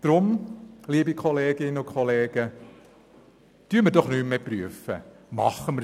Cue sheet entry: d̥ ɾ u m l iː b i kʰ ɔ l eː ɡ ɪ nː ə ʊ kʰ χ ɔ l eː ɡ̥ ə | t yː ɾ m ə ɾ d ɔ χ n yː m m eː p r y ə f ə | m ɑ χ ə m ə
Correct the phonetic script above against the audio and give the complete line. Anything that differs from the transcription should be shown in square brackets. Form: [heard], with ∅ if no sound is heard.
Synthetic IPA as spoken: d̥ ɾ [ʊ] m l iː b i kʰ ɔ l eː ɡ ɪ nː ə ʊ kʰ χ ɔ l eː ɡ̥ ə | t yː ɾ m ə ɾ d ɔ χ n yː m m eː p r y ə f ə | m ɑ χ ə m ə